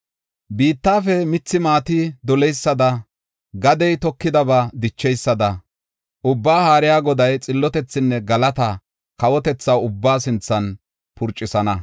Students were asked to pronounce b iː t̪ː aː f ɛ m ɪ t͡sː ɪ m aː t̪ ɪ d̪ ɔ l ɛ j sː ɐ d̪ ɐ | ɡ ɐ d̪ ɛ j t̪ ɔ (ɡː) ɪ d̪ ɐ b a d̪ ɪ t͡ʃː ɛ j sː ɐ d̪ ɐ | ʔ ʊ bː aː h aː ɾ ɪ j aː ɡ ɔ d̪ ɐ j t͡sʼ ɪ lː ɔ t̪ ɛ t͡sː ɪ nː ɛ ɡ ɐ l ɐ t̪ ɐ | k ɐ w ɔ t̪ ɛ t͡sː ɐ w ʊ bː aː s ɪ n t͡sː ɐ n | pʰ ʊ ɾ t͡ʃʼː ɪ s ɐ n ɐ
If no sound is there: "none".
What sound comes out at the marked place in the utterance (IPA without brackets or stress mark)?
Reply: kː